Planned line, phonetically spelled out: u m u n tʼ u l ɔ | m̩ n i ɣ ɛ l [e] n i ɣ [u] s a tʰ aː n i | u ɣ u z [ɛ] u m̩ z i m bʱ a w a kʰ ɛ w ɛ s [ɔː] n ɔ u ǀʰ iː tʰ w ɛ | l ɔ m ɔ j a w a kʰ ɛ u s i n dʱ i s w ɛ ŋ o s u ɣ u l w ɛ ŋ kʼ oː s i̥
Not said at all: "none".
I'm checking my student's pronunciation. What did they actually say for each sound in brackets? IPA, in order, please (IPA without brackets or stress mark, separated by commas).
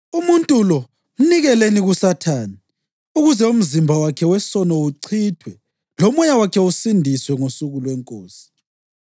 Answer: e, u, ɛ, ɔ